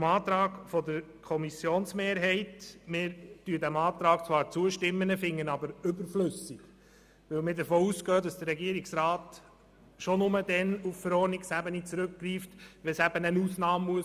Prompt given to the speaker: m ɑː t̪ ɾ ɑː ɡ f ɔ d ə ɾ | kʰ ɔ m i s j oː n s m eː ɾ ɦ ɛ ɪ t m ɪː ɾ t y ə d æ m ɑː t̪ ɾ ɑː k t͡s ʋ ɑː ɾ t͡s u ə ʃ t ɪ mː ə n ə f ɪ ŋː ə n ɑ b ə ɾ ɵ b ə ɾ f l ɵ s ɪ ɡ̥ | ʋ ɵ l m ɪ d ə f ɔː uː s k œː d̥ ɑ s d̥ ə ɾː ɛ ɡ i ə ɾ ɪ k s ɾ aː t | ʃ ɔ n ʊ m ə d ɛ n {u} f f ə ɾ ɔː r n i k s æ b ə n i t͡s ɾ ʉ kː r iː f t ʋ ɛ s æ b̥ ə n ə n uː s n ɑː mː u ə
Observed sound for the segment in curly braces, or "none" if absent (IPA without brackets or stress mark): u